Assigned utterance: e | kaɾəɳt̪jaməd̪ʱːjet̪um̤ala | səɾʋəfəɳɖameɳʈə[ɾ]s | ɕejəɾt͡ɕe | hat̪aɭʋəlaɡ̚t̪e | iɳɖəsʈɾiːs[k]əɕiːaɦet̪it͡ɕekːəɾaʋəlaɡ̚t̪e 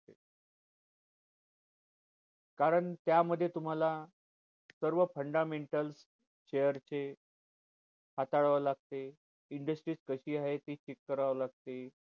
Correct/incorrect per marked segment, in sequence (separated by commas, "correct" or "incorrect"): incorrect, correct